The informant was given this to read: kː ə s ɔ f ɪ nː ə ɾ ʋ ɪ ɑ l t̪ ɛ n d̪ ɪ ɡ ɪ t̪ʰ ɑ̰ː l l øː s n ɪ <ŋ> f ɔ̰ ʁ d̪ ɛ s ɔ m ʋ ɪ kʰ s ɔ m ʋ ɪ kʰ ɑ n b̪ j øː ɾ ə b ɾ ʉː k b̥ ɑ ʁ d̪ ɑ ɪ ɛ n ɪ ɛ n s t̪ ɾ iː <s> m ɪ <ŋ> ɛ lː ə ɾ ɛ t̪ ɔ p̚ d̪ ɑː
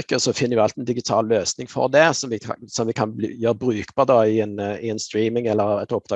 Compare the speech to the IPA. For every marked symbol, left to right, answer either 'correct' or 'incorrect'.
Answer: correct, incorrect: none, correct

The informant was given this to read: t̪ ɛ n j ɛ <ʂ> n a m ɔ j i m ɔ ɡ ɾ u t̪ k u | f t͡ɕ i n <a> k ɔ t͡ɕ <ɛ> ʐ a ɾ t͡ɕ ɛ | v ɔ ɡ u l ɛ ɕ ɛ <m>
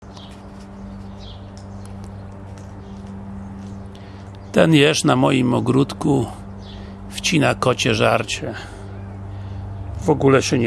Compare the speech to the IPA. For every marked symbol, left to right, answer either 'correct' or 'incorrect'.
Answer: correct, correct, correct, incorrect: ɲ

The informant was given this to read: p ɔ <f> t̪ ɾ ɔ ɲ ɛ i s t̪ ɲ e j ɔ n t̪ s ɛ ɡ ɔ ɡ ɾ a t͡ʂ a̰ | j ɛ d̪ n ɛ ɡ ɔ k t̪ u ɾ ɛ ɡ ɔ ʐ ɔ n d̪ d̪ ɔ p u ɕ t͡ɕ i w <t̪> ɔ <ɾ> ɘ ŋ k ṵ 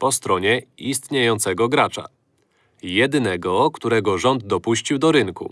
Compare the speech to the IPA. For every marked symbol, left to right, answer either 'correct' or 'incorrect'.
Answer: incorrect: s, incorrect: d̪, correct

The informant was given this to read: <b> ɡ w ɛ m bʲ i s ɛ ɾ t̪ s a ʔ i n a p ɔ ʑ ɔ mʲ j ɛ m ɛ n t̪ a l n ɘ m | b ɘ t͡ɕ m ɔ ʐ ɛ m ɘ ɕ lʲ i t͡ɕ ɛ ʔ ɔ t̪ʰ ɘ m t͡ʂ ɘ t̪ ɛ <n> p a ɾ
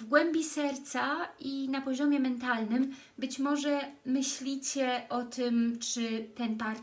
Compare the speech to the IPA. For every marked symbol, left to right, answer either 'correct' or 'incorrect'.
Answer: incorrect: v, correct

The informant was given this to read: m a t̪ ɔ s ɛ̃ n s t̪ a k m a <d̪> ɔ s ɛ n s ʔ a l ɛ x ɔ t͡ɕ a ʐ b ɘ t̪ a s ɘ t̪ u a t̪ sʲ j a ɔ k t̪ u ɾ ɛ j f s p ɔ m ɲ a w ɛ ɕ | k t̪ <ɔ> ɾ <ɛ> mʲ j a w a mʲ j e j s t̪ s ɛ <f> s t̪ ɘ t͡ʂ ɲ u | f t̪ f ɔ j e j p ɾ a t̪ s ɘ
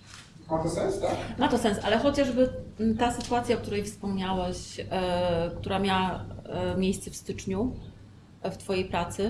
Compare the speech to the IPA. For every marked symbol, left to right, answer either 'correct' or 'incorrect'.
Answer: incorrect: t̪, incorrect: u, incorrect: a, correct

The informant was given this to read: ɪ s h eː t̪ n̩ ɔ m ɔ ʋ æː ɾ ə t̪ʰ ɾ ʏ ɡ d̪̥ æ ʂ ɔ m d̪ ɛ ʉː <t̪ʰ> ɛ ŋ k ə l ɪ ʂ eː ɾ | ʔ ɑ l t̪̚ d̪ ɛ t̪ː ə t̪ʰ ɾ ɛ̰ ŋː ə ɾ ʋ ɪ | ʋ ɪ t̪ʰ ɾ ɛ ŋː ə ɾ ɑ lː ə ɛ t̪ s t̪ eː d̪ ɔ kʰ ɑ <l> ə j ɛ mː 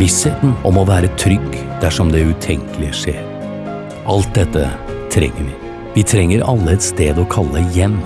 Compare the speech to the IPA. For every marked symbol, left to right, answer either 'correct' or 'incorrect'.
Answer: correct, incorrect: lː

